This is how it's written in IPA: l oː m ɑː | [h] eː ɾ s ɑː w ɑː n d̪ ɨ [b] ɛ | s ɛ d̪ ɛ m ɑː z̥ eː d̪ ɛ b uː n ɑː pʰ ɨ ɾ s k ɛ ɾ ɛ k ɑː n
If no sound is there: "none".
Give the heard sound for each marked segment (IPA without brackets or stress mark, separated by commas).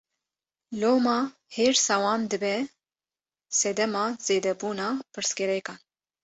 h, b